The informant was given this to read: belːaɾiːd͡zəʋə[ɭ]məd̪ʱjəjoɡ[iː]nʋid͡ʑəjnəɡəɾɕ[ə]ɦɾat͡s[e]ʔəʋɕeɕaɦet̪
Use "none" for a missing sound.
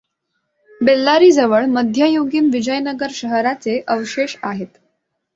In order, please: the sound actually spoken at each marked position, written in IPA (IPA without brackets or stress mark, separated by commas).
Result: ɭ, iː, ə, e